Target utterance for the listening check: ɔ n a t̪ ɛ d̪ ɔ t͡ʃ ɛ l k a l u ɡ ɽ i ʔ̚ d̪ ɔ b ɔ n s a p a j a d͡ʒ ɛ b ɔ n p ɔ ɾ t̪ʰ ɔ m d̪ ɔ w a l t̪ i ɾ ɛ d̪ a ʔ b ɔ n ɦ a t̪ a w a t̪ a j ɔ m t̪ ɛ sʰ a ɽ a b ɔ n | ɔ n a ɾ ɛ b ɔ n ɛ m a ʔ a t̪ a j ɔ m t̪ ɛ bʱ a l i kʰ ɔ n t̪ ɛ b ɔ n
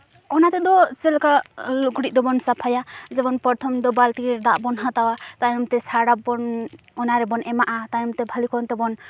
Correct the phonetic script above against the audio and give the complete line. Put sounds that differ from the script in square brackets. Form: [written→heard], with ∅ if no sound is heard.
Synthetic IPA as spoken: ɔ n a t̪ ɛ d̪ ɔ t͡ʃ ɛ l k a l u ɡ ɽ i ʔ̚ d̪ ɔ b ɔ n s a [p→pʰ] a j a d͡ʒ ɛ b ɔ n p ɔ ɾ t̪ʰ ɔ m d̪ ɔ [w→b] a l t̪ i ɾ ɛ d̪ a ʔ b ɔ n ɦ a t̪ a w a t̪ a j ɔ m t̪ ɛ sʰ a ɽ a b ɔ n | ɔ n a ɾ ɛ b ɔ n ɛ m a ʔ a t̪ a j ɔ m t̪ ɛ bʱ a l i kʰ ɔ n t̪ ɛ b ɔ n